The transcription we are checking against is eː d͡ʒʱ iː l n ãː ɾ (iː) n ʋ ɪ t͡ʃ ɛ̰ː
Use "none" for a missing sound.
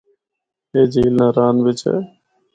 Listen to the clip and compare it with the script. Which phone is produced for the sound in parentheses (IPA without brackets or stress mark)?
aː